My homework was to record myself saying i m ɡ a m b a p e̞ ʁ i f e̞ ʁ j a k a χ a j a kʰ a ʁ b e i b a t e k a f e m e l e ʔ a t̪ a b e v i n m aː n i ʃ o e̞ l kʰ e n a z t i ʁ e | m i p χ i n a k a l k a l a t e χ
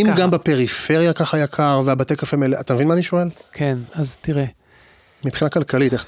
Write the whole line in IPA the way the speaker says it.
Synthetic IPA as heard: i m ɡ a m b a p e̞ ʁ i f e̞ ʁ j a k a χ a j a kʰ a ʁ v e a b a t e k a f e m e l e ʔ a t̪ a m e v i n m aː n i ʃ o e̞ l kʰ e n a z t i ʁ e | m i p χ i n a k a l k a l i t e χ